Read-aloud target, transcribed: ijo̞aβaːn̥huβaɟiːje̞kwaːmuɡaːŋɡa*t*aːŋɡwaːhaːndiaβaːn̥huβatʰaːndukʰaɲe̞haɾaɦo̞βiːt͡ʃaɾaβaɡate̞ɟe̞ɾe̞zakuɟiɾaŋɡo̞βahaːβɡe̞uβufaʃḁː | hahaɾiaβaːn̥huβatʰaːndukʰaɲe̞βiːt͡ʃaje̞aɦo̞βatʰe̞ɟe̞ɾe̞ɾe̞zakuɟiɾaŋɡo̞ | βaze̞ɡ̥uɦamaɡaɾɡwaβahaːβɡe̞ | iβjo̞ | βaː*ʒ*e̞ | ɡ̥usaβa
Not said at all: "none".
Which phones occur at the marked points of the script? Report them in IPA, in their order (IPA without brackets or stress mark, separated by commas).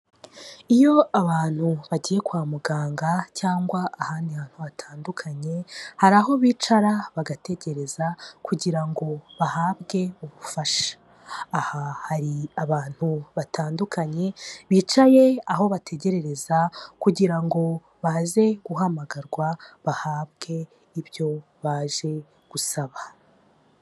c, ʒ